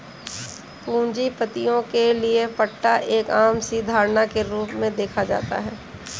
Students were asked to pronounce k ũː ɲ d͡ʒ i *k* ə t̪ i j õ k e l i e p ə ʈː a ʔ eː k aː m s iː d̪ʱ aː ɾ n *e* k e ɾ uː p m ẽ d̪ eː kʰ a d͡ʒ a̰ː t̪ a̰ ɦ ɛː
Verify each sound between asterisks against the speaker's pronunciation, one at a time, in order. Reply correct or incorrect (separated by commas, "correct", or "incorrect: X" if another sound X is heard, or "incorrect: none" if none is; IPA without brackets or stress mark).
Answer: incorrect: p, incorrect: a